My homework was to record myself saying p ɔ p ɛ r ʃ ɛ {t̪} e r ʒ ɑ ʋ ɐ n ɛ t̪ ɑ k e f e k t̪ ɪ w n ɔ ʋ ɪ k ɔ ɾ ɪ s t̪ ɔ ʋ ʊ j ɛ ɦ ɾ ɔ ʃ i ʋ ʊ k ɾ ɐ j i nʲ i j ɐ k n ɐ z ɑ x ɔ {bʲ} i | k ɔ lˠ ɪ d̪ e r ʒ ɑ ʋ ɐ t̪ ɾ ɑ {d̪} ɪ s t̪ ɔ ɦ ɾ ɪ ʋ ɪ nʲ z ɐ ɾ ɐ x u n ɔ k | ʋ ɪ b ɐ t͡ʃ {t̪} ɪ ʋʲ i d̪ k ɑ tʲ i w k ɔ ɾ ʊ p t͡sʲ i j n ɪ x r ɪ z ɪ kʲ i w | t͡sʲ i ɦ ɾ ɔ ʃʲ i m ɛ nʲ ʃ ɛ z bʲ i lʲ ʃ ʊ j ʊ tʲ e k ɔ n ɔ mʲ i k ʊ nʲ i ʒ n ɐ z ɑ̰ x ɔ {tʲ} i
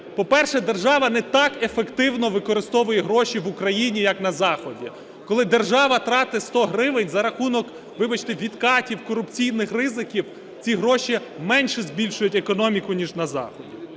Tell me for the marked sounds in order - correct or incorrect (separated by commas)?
incorrect, incorrect, incorrect, correct, incorrect